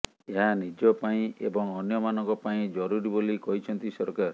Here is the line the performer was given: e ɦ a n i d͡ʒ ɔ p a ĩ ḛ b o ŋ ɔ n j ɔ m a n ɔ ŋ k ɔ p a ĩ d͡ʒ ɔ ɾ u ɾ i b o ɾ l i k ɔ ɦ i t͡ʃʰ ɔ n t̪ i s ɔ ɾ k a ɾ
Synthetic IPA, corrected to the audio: e ɦ a n i d͡ʒ ɔ p a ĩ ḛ b ɔ ŋ ɔ n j ɔ m a n ɔ ŋ k ɔ p a ĩ d͡ʒ ɔ ɾ u ɾ i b o l i k ɔ ɦ i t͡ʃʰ ɔ n t̪ i s ɔ ɾ k a ɾ